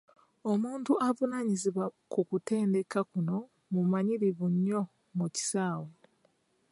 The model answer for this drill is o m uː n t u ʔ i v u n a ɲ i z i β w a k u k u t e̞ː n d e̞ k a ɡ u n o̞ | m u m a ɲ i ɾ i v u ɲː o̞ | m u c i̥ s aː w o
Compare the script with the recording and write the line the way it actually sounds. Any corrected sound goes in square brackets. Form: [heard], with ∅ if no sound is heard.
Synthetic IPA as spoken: o m uː n t u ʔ [a] v u n a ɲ i z i β w a k u k u t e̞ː n d e̞ k a [k] u n o̞ | m u m a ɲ i ɾ i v u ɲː o̞ | m u c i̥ s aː w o